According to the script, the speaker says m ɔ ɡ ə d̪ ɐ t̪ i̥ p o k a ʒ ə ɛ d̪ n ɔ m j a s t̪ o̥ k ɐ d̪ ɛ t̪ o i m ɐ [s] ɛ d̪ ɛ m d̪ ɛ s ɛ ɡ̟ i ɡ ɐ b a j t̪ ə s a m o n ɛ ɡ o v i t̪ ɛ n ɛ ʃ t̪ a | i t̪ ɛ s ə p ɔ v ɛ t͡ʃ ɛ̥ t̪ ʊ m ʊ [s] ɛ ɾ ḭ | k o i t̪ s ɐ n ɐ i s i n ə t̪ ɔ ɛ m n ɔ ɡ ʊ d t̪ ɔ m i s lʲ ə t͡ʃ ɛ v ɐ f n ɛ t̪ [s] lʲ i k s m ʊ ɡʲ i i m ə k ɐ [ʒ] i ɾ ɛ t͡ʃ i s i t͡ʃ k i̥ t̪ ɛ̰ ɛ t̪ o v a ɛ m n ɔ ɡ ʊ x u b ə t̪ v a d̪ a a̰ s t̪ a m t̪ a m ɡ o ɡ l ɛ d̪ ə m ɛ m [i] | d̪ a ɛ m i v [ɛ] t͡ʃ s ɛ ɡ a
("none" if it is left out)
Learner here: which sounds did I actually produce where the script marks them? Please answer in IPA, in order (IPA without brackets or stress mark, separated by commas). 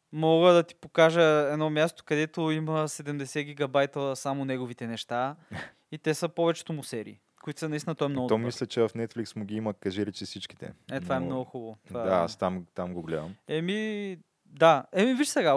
s, s, f, ʒ, i, i